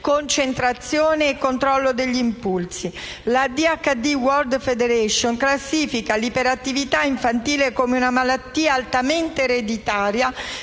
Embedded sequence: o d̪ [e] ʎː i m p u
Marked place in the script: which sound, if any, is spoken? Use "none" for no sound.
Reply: e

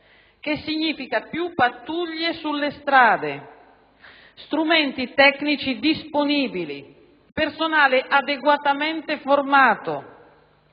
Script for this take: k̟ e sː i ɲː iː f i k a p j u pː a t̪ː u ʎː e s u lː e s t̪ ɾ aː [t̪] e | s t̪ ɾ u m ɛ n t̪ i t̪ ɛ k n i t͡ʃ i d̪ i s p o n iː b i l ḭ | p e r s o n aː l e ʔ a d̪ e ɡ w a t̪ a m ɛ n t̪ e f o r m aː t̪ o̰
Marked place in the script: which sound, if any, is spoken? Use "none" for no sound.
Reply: d̪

